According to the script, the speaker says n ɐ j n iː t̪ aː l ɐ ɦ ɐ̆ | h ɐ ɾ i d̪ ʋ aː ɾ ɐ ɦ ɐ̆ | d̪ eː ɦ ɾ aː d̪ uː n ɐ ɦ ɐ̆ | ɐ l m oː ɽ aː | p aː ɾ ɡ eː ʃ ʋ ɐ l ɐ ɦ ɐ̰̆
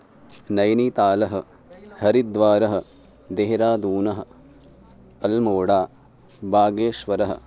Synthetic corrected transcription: n ɐ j n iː t̪ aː l ɐ ɦ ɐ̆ | h ɐ ɾ i d̪ ʋ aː ɾ ɐ ɦ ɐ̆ | d̪ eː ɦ ɾ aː d̪ uː n ɐ ɦ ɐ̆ | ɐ l m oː ɽ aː | b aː ɡ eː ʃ ʋ ɐ ɾ ɐ ɦ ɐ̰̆